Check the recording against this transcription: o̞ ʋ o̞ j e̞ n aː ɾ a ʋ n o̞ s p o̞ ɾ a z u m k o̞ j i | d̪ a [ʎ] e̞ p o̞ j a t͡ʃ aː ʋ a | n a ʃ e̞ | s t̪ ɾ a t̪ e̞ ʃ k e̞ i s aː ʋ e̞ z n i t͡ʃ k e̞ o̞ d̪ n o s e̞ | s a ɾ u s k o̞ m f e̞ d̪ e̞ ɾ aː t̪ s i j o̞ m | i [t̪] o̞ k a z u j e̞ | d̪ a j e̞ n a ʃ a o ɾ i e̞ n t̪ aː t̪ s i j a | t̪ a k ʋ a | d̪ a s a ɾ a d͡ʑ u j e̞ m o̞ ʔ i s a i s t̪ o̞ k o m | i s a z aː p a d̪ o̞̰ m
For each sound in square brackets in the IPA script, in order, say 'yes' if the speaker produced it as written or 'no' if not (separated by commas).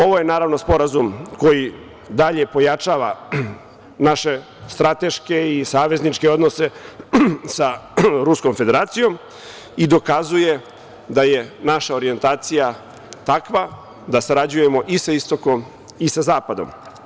yes, no